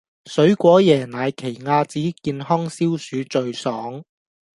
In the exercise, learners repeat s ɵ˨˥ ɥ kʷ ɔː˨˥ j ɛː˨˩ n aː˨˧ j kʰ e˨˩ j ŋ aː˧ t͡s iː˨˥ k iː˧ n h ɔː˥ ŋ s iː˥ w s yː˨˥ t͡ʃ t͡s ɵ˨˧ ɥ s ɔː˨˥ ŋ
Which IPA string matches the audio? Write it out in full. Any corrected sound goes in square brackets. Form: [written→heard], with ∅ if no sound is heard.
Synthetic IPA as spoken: s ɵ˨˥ ɥ kʷ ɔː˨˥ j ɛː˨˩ n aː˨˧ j kʰ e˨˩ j ŋ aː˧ t͡s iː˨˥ k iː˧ n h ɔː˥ ŋ s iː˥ w s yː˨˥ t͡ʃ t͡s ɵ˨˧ ɥ s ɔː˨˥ ŋ